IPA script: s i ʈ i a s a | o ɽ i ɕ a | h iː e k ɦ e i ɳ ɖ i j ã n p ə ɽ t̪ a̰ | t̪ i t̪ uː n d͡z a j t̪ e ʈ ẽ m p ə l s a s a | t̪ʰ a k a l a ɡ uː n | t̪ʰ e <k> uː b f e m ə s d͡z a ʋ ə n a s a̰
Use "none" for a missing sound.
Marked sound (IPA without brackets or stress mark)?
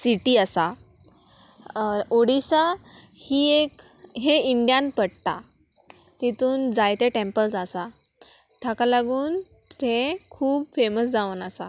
kʰ